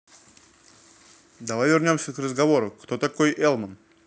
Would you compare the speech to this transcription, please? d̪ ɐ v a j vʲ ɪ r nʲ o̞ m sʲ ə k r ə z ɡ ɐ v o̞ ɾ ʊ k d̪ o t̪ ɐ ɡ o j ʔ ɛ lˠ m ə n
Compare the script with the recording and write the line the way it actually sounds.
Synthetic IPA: d̪ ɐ v a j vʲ ɪ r nʲ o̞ m sʲ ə k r ə z ɡ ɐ v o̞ ɾ ʊ k t̪ o t̪ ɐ k o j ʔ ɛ lˠ m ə n